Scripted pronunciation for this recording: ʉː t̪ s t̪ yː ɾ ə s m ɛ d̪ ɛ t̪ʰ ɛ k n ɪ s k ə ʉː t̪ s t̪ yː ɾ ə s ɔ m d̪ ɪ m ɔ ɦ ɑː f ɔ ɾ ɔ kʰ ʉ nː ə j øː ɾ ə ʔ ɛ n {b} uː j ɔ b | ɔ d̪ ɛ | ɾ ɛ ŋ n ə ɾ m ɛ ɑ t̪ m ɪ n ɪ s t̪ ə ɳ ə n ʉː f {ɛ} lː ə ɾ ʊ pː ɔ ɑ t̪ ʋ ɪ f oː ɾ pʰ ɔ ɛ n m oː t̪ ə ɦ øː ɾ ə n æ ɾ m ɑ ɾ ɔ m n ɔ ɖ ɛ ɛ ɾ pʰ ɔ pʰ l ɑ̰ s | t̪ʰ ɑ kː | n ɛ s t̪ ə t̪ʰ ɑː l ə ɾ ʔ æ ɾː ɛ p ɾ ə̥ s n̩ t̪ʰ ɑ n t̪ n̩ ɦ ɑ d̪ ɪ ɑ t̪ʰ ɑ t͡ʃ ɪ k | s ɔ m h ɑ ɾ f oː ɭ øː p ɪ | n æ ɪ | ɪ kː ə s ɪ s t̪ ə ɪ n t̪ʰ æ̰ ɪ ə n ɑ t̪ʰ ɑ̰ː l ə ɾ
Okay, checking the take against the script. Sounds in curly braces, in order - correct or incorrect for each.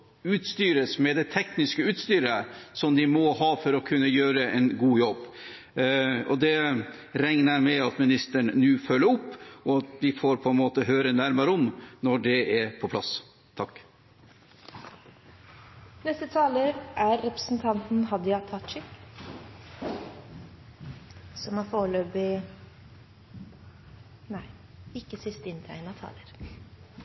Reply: incorrect, incorrect

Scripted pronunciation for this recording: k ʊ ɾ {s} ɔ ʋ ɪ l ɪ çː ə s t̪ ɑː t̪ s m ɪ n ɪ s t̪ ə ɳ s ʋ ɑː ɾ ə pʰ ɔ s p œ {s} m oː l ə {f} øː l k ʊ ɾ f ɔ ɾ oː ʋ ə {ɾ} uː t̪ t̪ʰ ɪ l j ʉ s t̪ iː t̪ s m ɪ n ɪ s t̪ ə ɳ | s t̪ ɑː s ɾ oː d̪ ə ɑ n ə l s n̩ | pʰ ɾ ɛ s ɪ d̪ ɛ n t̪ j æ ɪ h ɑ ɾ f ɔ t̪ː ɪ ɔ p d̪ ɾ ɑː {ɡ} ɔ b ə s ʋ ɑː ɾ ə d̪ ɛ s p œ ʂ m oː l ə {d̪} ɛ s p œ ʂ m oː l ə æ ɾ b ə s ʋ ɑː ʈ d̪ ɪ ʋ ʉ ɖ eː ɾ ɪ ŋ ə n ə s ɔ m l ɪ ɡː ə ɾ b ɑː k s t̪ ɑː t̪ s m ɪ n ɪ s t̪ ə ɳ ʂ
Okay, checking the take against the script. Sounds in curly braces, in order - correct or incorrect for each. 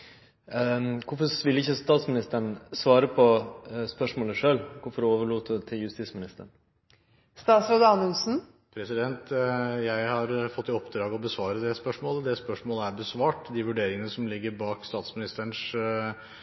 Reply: incorrect, incorrect, incorrect, incorrect, correct, correct

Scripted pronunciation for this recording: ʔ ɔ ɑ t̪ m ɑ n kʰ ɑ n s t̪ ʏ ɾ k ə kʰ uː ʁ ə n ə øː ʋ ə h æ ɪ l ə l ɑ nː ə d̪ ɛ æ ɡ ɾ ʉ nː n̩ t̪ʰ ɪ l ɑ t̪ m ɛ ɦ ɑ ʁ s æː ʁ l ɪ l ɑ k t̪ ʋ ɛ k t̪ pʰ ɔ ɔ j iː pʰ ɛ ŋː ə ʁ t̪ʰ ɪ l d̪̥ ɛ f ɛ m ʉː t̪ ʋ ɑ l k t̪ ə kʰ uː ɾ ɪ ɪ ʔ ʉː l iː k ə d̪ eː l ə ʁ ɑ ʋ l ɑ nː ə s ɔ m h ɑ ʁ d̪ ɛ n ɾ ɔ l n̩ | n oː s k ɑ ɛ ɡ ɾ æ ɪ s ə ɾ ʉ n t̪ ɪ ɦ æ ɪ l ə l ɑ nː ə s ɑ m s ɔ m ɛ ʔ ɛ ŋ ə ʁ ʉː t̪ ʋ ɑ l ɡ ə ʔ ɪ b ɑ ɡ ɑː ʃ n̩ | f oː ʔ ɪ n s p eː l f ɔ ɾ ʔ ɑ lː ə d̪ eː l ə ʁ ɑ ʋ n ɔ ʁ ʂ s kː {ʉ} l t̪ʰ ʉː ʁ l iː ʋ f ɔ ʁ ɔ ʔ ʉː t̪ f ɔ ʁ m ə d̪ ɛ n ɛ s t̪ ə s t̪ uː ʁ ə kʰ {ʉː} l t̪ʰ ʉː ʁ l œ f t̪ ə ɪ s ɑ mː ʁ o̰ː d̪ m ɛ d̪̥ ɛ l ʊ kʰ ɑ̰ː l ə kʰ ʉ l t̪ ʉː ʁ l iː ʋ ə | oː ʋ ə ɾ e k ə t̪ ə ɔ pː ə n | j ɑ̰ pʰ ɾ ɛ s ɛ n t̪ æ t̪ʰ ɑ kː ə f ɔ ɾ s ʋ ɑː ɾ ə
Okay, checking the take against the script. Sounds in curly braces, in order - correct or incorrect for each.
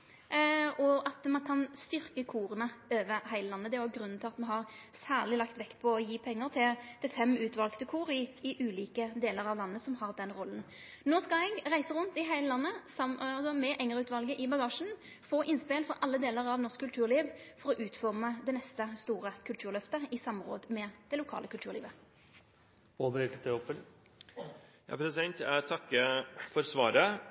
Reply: correct, incorrect

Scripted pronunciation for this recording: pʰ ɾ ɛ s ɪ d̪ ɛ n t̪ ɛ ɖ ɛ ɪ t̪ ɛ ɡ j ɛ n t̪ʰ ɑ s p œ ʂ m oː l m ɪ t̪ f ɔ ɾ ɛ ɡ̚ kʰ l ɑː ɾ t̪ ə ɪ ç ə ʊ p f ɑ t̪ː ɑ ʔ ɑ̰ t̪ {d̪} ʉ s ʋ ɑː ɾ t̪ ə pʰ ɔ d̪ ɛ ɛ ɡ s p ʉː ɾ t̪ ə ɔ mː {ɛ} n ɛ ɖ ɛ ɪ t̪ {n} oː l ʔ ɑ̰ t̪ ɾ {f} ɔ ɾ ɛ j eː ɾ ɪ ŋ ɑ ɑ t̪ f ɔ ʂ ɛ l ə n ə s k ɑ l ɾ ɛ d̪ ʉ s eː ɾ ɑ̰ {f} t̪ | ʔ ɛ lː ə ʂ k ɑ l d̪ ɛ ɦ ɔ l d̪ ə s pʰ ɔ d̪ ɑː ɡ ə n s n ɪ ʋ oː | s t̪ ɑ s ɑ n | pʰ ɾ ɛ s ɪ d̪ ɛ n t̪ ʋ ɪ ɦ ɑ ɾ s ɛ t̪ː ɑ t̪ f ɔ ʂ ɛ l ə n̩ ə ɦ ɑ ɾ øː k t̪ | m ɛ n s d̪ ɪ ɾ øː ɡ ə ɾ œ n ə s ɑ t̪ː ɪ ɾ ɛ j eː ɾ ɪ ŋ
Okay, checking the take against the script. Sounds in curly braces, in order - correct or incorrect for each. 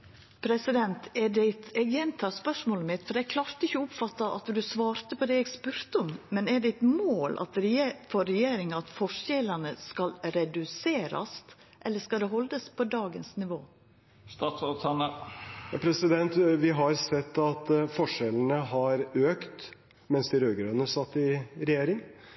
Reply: correct, correct, incorrect, correct, incorrect

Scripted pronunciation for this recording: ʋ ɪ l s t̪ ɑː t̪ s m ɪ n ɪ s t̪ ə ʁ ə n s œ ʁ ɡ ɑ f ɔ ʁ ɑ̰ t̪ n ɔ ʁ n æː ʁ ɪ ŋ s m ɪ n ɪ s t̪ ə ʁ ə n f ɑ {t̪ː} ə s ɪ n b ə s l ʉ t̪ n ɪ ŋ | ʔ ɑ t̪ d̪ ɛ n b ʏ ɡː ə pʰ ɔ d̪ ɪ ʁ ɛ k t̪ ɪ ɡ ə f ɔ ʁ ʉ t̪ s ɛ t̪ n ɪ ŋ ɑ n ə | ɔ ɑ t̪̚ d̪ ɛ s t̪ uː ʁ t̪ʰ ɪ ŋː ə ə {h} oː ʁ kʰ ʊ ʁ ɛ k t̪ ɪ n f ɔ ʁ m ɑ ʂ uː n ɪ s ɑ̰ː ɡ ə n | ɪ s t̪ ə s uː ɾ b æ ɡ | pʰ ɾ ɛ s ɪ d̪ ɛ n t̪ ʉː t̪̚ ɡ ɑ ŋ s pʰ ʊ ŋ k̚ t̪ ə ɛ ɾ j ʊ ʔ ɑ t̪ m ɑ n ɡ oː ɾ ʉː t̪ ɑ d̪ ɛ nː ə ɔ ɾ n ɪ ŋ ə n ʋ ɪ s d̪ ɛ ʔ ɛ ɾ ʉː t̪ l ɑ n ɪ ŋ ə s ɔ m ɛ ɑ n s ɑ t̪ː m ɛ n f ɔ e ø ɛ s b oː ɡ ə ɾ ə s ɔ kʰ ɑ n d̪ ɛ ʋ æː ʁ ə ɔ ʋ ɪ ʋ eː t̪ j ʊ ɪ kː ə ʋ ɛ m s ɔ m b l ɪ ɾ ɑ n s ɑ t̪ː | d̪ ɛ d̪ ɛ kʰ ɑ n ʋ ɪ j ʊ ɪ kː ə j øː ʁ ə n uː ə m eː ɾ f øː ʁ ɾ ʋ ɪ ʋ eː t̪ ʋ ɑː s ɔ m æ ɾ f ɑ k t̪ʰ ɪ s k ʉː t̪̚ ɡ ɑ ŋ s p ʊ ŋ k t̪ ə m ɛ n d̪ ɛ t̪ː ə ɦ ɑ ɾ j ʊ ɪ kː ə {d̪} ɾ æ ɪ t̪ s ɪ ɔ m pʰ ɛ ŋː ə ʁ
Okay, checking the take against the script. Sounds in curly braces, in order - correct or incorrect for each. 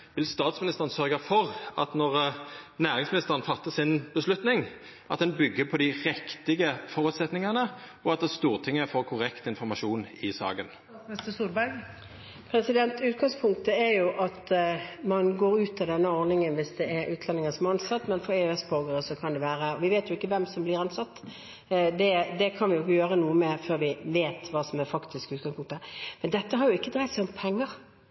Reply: correct, incorrect, correct

